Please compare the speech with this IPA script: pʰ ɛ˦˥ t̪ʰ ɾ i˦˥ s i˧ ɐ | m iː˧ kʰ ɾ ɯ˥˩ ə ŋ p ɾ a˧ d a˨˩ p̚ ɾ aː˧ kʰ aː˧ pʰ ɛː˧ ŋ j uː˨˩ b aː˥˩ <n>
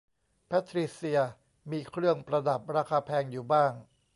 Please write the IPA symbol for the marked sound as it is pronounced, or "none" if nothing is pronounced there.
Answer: ŋ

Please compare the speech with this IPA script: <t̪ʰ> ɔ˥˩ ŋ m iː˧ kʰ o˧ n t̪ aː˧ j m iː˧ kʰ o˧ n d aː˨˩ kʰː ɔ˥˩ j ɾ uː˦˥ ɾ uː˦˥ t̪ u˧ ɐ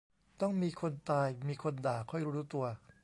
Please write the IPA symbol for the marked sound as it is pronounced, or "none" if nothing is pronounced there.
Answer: t̪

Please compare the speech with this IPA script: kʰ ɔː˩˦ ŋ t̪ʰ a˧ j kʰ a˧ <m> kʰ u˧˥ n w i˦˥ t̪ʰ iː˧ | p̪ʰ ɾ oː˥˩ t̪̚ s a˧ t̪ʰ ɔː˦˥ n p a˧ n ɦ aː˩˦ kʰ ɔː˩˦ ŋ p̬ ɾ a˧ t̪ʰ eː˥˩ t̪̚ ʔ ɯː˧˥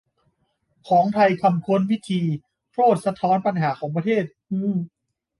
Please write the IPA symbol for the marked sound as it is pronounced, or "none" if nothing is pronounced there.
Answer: m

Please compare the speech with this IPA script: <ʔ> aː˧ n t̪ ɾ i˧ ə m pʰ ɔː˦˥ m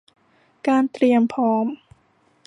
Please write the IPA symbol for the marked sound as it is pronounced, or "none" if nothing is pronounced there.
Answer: k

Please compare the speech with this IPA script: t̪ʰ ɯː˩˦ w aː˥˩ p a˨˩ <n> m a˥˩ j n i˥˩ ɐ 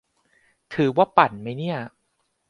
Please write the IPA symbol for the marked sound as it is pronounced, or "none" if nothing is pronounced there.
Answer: n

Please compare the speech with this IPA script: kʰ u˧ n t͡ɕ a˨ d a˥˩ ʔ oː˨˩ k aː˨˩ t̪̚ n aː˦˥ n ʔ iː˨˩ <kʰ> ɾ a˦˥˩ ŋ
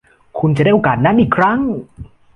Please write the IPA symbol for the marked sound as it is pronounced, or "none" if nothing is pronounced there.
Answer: kʰ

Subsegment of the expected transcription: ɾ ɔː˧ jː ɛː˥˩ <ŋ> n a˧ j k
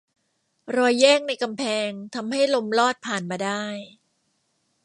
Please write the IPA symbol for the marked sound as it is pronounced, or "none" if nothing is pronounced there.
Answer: ŋ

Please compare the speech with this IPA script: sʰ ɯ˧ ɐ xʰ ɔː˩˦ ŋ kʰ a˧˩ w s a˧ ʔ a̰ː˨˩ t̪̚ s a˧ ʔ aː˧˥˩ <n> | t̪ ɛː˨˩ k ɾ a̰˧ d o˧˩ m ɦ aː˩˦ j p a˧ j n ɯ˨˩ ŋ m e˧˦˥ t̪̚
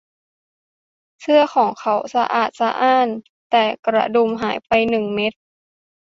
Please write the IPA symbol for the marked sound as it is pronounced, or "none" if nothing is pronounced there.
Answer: n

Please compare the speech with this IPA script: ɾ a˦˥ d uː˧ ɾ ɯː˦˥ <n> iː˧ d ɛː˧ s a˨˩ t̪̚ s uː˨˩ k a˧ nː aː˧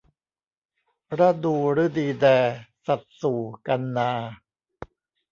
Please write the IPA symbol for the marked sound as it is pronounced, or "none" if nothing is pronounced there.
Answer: d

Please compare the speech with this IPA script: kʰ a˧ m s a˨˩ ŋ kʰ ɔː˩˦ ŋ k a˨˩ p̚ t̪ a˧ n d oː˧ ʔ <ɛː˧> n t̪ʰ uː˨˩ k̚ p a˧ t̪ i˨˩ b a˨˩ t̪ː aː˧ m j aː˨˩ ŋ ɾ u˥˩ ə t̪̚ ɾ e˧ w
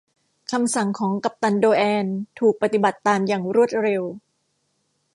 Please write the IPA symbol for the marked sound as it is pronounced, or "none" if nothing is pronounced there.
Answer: ɛː˧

